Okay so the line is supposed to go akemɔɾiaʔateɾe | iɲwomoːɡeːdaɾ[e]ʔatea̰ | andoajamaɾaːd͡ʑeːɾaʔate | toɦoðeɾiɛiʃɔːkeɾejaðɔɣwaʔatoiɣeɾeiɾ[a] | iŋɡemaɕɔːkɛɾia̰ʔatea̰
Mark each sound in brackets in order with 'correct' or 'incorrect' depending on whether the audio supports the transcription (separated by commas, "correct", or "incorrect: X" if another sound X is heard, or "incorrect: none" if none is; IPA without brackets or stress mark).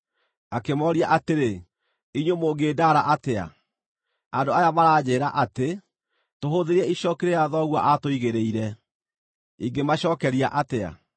incorrect: a, incorrect: ɛ